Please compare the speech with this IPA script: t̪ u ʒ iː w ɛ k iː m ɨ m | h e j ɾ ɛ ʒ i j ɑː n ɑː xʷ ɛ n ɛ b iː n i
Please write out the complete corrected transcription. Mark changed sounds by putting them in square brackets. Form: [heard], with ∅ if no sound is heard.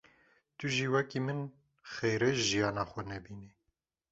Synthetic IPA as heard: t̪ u ʒ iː w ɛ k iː m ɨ [n] | [x] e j ɾ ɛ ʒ i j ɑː n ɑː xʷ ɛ n ɛ b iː n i

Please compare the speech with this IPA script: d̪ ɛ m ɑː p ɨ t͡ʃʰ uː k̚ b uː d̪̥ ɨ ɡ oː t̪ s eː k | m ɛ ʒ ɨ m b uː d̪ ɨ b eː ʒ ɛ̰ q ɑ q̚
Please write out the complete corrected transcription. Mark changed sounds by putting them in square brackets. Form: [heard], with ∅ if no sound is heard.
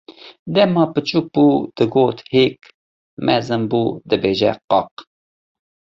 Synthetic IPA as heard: d̪ ɛ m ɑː p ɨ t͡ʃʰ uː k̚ b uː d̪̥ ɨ ɡ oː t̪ [h] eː k | m ɛ [z] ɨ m b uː d̪ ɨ b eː ʒ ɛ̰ q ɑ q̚

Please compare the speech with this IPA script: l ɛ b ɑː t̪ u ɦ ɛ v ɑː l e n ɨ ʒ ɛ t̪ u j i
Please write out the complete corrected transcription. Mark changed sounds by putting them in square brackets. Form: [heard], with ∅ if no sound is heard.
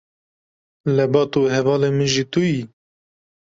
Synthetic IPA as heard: l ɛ b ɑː t̪ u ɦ ɛ v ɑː l e [m] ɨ ʒ [i] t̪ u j i

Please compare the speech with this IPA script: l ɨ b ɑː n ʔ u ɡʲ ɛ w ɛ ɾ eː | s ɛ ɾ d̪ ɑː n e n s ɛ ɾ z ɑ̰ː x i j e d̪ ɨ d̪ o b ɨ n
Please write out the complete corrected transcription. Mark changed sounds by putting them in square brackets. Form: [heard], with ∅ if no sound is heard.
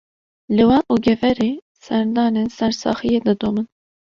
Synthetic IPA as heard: l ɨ [w] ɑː n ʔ u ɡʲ ɛ [v] ɛ ɾ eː | s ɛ ɾ d̪ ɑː n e n s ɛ ɾ [s] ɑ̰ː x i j e d̪ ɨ d̪ o [m] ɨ n

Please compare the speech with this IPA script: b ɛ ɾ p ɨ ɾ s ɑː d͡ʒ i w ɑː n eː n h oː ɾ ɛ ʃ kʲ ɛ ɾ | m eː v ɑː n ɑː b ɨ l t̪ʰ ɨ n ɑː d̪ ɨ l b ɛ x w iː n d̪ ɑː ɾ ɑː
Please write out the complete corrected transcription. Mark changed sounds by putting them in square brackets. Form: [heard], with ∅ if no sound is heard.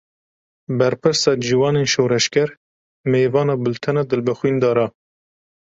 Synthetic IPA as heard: b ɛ ɾ p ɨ ɾ s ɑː d͡ʒ i w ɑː n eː n [ʃ] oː ɾ ɛ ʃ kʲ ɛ ɾ | m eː v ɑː n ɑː b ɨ l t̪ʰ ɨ n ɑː d̪ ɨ l b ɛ x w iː n d̪ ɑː ɾ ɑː

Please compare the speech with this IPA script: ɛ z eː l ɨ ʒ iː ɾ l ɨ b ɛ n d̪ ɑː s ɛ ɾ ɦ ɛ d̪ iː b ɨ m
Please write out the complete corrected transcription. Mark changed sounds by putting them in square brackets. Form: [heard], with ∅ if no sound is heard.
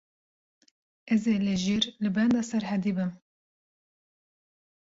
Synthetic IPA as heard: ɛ z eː l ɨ ʒ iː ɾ l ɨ b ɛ n d̪ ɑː s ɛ ɾ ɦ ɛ d̪ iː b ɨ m

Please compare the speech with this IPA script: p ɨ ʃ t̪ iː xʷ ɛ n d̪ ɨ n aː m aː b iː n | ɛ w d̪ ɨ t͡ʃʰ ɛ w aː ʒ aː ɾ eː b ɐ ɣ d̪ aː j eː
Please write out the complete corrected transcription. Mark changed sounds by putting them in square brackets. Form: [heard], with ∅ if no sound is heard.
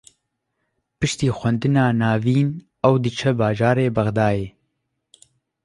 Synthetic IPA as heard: p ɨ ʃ t̪ iː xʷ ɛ n d̪ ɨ n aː [n] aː [v] iː n | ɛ w d̪ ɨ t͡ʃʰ ɛ [b] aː ʒ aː ɾ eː b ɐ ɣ d̪ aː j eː

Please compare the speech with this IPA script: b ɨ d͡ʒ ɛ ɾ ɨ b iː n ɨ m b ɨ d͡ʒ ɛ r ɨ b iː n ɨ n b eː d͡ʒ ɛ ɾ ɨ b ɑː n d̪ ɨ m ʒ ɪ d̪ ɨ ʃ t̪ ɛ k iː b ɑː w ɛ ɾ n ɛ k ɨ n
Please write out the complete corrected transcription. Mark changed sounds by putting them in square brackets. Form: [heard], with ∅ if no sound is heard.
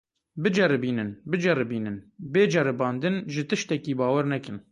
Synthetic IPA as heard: b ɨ d͡ʒ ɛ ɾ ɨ b iː n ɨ [n] b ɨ d͡ʒ ɛ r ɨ b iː n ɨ n b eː d͡ʒ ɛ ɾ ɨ b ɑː n d̪ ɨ [n] ʒ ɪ [t̪] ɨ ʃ t̪ ɛ k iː b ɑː w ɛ ɾ n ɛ k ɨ n

